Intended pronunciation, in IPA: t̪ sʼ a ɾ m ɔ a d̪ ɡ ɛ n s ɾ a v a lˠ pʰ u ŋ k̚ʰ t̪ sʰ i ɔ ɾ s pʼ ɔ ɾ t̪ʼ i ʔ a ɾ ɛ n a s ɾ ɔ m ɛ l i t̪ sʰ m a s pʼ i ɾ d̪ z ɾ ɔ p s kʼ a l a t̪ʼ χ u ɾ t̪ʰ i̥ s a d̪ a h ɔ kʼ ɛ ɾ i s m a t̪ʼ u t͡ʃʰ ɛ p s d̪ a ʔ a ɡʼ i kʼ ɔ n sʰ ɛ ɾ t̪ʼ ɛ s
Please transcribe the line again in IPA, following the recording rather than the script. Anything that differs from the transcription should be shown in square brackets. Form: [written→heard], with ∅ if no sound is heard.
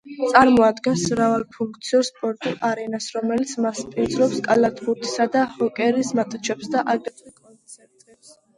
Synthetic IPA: t̪ sʼ a ɾ m ɔ a d̪ ɡ ɛ n s ɾ a v a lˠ pʰ u ŋ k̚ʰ t̪ sʰ i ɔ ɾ s pʼ ɔ ɾ t̪ʼ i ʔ a ɾ ɛ n a s ɾ ɔ m ɛ l i t̪ sʰ m a s pʼ i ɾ d̪ z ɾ ɔ p s kʼ a l a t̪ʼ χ u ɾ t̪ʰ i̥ s a d̪ a h ɔ kʼ ɛ ɾ i s m a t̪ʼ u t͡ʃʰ ɛ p s d̪ a ʔ a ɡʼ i kʼ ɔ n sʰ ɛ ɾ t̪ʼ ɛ s